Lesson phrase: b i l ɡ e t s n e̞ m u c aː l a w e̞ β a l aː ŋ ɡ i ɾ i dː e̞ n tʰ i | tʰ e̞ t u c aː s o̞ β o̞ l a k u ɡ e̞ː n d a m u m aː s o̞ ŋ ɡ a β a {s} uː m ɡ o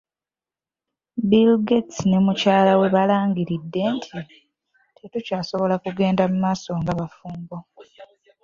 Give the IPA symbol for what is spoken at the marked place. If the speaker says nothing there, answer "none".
f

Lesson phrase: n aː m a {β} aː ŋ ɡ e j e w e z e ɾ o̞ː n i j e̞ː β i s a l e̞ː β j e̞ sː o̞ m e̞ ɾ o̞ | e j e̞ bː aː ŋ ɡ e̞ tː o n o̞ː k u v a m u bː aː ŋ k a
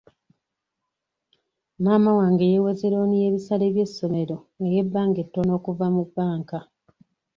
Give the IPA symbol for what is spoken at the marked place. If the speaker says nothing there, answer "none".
w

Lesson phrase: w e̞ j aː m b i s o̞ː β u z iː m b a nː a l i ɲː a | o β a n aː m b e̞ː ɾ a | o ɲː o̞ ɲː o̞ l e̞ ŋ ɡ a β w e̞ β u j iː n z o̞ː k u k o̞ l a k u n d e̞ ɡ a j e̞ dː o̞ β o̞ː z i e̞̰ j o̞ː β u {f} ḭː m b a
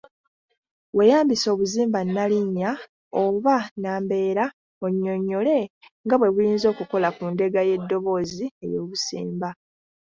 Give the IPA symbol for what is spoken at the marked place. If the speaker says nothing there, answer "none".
s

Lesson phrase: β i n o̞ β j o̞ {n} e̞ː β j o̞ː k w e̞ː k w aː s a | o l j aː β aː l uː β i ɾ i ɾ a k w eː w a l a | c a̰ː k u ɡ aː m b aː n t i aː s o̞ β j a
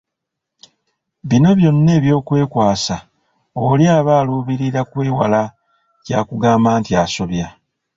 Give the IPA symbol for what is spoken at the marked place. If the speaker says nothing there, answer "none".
nː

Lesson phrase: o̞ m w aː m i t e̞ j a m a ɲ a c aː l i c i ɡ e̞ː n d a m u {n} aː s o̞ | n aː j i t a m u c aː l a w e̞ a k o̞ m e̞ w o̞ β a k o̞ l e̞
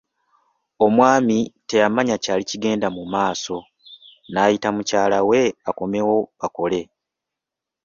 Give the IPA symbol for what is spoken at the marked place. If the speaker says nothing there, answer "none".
m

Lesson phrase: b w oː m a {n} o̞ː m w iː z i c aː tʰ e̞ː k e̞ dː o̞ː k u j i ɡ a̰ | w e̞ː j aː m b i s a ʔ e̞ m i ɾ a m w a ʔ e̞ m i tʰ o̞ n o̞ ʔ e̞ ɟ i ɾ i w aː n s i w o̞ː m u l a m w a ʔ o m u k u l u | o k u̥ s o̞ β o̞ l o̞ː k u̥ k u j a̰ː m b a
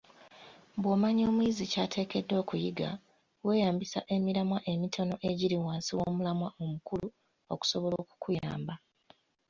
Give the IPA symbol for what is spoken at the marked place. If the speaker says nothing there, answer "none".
ɲ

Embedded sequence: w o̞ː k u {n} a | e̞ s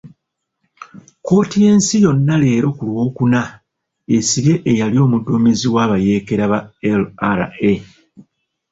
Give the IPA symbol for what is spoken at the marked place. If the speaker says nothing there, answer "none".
n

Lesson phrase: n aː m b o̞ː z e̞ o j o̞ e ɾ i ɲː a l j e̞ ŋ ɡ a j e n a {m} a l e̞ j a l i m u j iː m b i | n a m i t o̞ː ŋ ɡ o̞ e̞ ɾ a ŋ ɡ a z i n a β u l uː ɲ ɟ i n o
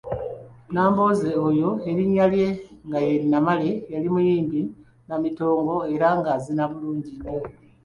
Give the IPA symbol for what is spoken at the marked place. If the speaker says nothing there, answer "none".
m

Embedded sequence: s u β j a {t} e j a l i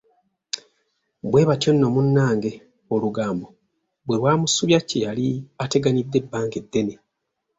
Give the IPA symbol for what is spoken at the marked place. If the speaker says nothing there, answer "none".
c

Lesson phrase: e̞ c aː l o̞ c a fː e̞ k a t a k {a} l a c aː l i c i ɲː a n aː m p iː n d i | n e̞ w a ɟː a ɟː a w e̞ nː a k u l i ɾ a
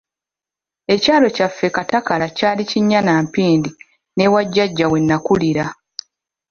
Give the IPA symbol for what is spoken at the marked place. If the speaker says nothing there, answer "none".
a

